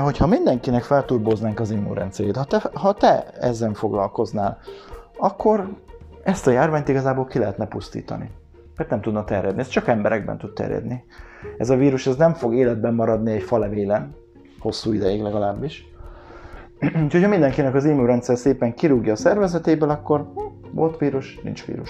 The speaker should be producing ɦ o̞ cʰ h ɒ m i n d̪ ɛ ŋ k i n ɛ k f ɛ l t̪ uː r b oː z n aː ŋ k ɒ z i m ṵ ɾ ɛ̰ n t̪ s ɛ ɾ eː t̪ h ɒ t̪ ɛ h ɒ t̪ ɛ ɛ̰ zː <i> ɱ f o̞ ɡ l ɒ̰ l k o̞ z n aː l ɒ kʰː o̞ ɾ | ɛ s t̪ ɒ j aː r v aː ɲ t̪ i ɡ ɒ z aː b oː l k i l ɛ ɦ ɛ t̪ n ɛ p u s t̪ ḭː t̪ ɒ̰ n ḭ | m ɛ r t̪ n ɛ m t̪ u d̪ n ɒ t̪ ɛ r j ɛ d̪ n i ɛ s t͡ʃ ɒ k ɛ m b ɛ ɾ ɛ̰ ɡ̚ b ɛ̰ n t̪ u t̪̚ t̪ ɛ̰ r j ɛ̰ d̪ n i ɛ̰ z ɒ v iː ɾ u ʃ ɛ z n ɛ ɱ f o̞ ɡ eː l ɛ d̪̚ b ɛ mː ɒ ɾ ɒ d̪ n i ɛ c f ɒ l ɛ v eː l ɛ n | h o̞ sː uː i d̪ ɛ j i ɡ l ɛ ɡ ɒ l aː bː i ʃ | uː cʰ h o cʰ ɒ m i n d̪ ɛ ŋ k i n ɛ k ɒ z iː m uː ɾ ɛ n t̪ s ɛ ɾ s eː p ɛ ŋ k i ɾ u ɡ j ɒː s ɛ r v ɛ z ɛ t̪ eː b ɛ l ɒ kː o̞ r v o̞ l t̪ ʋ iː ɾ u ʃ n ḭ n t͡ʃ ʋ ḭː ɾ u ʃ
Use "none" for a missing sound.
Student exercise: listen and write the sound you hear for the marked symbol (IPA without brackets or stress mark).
ɛ